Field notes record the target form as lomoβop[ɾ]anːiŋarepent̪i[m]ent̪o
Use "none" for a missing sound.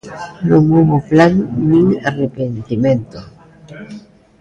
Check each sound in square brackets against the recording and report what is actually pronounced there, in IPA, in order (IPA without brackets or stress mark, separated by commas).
l, m